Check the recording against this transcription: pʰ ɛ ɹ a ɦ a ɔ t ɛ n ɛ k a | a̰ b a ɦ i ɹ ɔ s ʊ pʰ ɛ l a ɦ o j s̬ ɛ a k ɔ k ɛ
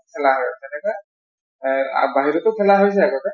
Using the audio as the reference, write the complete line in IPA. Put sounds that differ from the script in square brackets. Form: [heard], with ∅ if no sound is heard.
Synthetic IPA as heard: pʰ ɛ [l] a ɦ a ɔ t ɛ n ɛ k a | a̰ b a ɦ i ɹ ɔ [t] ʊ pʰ ɛ l a ɦ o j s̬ ɛ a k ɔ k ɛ